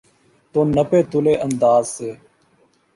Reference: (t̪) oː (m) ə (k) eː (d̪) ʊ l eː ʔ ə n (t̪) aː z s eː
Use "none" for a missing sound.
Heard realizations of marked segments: t̪, n, p, t̪, d̪

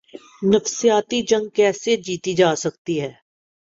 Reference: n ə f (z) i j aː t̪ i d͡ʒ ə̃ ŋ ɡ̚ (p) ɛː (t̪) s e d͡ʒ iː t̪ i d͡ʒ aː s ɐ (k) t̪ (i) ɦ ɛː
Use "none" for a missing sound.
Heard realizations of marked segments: s, k, none, k, i

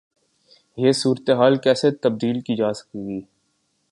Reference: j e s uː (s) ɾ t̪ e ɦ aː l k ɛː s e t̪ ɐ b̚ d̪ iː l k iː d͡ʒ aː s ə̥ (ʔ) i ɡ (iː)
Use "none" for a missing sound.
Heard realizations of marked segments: none, k, iː

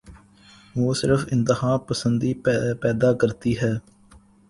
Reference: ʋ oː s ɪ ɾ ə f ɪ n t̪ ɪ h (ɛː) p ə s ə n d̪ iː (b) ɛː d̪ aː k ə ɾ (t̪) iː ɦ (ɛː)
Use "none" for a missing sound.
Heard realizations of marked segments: aː, p, t̪, ɛː

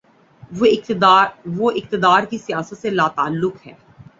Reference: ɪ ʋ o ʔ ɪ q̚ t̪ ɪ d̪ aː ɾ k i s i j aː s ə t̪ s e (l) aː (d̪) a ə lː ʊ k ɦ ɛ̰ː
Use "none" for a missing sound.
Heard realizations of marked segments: l, t̪

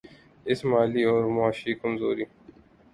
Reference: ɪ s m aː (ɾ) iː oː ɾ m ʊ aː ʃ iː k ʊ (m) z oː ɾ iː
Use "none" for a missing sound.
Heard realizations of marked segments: l, m

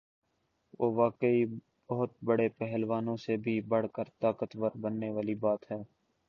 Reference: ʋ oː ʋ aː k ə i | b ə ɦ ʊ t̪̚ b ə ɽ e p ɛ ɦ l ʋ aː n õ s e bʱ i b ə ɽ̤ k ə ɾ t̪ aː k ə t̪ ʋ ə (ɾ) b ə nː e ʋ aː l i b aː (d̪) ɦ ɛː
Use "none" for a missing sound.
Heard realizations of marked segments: ɾ, t̪

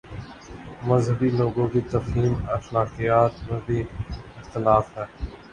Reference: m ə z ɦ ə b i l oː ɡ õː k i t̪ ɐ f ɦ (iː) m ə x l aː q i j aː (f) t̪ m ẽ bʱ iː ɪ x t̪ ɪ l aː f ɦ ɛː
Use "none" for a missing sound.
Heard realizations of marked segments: iː, none

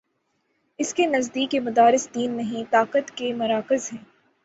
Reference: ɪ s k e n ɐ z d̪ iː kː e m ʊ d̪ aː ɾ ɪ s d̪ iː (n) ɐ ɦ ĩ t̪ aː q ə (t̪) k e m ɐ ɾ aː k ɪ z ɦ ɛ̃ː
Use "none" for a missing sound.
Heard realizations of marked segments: nː, t̪

